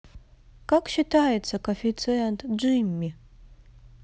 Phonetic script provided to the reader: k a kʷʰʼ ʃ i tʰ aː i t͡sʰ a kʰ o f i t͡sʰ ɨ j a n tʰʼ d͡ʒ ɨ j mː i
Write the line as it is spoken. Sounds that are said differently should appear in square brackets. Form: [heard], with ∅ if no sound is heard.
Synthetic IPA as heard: k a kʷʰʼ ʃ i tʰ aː [j] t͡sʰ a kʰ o f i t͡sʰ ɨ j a n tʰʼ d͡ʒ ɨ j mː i